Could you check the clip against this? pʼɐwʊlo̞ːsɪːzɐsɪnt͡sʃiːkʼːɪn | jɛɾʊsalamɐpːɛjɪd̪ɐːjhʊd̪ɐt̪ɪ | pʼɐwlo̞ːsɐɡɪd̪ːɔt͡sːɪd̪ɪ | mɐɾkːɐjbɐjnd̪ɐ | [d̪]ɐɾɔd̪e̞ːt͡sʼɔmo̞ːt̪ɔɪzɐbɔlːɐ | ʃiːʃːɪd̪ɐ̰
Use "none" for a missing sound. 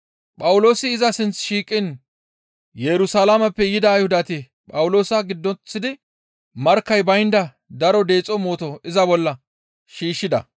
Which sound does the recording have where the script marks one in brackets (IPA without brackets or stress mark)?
d̪